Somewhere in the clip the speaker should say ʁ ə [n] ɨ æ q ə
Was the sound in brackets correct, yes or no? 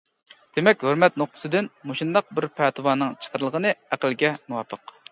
yes